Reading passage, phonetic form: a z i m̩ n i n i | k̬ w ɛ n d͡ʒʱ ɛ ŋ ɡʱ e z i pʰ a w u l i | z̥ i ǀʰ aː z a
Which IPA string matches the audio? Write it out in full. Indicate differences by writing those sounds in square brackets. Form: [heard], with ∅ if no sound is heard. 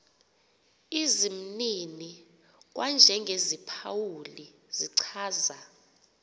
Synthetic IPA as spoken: [i] z i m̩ n i n i | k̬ w [a] n d͡ʒʱ ɛ ŋ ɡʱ e z i pʰ a w u l i | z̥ i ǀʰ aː z a